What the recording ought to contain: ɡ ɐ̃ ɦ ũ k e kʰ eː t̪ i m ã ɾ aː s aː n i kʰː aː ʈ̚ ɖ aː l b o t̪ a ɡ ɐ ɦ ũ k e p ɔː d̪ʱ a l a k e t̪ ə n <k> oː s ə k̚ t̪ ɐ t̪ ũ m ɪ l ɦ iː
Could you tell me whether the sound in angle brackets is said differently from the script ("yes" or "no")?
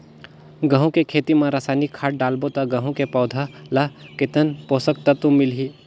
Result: yes